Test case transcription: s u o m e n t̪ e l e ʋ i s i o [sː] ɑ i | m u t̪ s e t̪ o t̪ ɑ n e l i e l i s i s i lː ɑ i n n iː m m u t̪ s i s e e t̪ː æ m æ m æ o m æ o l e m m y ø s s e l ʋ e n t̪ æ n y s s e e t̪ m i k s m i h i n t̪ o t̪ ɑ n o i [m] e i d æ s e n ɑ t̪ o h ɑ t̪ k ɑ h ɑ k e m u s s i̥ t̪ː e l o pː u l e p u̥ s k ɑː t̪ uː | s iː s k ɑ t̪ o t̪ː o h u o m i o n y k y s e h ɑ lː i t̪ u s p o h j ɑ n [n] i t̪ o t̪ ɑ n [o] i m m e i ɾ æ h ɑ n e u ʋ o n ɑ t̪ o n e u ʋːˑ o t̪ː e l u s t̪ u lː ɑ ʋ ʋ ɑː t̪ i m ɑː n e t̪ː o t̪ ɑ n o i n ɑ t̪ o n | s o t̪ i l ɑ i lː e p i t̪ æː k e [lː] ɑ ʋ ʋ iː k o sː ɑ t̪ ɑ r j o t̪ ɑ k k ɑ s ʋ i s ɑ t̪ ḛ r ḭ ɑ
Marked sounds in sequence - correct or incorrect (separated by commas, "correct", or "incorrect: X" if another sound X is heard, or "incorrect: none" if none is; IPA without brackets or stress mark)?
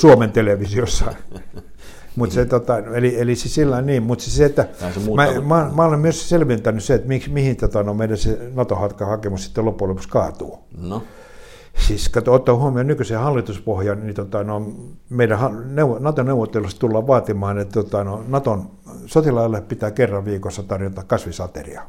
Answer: correct, correct, correct, correct, incorrect: rː